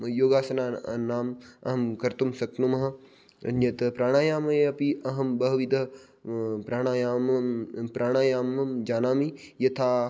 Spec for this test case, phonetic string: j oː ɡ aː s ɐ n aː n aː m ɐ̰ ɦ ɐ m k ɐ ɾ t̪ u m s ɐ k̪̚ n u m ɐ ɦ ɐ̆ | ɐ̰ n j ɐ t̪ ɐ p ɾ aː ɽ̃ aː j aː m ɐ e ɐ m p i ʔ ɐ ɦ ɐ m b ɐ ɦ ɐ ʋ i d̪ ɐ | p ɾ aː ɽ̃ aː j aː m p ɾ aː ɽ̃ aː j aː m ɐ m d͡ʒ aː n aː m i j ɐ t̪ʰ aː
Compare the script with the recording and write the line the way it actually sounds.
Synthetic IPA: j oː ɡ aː s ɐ n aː n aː m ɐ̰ ɦ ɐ m k ɐ ɾ t̪ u m s ɐ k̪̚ n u m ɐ ɦ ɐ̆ | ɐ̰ n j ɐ t̪ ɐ p ɾ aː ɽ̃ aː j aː m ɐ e ɐ p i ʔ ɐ ɦ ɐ m b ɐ ɦ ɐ ʋ i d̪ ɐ | p ɾ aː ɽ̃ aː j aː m p ɾ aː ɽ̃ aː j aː m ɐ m d͡ʒ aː n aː m i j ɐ t̪ʰ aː